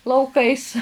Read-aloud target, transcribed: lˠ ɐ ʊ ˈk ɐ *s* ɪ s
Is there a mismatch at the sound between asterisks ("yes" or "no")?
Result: yes